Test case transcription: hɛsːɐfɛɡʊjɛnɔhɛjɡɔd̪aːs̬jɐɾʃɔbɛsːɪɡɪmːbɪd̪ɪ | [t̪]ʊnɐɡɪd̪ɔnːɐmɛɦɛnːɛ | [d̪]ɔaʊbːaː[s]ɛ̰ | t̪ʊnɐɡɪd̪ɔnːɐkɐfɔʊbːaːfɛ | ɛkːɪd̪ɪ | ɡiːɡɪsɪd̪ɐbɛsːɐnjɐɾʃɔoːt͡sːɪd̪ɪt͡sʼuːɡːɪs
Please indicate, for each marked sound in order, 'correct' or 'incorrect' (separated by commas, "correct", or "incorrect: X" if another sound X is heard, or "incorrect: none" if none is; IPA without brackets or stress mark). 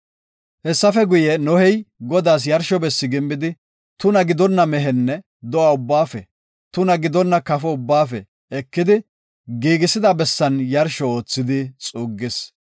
correct, correct, incorrect: f